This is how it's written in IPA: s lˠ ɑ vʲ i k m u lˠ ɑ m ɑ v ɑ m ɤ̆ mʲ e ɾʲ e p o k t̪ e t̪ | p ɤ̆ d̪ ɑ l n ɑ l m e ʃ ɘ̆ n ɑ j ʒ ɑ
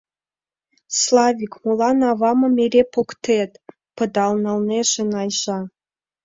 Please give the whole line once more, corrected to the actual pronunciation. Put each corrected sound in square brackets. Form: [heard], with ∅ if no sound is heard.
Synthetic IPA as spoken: s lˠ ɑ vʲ i k m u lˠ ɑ [n] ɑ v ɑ m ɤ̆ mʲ e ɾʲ e p o k t̪ e t̪ | p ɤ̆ d̪ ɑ l n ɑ l [n] e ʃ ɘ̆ n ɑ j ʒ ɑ